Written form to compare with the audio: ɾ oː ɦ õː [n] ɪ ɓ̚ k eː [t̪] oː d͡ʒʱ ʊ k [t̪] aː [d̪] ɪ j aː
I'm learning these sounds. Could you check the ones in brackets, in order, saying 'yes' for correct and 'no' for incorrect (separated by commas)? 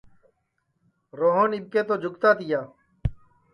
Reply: yes, yes, yes, no